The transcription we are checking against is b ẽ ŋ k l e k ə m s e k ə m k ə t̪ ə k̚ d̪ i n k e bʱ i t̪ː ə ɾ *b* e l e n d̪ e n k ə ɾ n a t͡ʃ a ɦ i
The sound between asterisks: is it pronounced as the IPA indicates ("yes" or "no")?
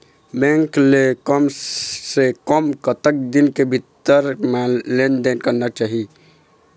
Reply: no